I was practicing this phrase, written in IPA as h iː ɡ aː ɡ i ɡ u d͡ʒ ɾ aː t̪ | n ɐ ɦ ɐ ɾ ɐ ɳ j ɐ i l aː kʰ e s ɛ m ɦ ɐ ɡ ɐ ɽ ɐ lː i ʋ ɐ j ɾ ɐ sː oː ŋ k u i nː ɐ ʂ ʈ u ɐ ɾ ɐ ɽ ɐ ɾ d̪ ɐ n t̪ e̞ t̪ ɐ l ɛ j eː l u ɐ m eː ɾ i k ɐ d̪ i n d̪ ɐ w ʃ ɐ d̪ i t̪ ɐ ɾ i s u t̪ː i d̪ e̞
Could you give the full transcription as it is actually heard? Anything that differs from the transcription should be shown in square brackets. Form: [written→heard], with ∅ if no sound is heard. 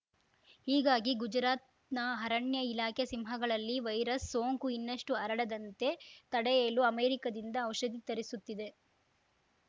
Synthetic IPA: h iː ɡ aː ɡ i ɡ u d͡ʒ ɾ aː t̪ | n ɐ ɦ ɐ ɾ ɐ ɳ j ɐ i l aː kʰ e s [ɛ→i] m ɦ ɐ ɡ ɐ [ɽ→ɭ] ɐ lː i ʋ ɐ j ɾ ɐ sː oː ŋ k u i nː ɐ ʂ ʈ u ɐ ɾ ɐ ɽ ɐ [ɾ→∅] d̪ ɐ n t̪ e̞ t̪ ɐ [l→ɽ] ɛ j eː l u ɐ m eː ɾ i k ɐ d̪ i n d̪ [ɐ→ɐː] w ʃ ɐ d̪ i t̪ ɐ ɾ i s u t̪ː i d̪ e̞